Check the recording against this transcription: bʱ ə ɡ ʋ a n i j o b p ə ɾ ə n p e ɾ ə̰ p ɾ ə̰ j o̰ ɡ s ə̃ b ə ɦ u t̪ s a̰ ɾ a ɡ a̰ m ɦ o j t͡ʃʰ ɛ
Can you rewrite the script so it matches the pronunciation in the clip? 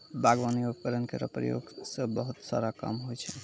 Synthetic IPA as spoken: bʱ a ɡ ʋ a n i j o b k ə ɾ ə n k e ɾ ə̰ p ɾ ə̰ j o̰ ɡ s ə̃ b ə ɦ u t̪ s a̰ ɾ a k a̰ m ɦ o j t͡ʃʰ ɛ